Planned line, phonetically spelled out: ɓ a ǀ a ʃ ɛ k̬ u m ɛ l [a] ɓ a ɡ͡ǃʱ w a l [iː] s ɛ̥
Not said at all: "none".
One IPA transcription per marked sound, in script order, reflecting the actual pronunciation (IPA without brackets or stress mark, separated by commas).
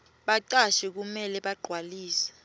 ɛ, iː